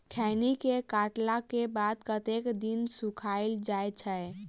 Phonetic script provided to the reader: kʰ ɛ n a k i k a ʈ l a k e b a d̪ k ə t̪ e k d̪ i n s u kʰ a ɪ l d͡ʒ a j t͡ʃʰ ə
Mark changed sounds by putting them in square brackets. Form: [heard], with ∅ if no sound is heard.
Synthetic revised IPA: kʰ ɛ n [i] k [e] k a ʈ l a k e b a d̪ k ə t̪ e k d̪ i n s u kʰ a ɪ l d͡ʒ a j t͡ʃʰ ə